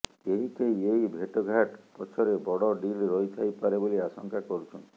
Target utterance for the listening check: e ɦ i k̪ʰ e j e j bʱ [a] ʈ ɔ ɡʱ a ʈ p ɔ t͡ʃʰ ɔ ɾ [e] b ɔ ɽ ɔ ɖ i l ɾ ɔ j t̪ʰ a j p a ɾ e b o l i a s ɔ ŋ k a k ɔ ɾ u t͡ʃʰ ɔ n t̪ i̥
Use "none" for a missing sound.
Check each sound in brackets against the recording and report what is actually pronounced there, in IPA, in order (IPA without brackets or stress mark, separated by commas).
e, e